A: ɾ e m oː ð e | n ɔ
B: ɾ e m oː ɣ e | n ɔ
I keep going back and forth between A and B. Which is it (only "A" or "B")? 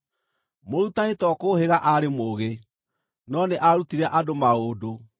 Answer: B